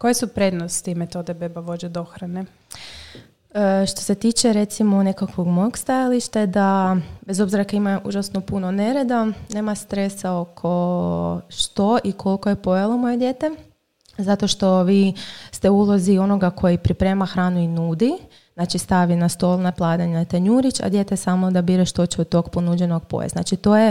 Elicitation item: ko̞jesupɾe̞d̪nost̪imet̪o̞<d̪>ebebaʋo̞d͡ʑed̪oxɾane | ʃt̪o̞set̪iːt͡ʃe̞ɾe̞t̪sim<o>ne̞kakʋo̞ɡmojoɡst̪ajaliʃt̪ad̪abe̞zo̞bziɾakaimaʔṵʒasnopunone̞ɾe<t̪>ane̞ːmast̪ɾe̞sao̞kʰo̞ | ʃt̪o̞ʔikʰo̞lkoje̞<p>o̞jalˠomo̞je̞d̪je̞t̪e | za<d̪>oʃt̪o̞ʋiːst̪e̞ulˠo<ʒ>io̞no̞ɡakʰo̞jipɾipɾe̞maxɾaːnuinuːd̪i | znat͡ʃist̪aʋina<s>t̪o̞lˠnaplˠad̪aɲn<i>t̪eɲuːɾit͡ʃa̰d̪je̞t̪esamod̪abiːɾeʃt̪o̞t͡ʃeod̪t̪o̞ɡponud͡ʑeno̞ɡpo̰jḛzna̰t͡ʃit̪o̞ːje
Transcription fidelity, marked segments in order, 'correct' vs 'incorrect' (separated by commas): correct, correct, incorrect, correct, incorrect, incorrect, correct, incorrect